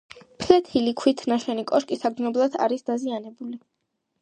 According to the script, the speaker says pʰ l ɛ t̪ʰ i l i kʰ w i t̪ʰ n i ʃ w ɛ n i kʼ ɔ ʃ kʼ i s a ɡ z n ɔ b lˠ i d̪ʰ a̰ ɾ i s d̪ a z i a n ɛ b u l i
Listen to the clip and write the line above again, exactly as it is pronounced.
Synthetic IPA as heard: pʰ l ɛ t̪ʰ i l i kʰ w i t̪ʰ n a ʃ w ɛ n i kʼ ɔ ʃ kʼ i s a ɡ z n ɔ b lˠ a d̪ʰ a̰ ɾ i s d̪ a z i a n ɛ b u l i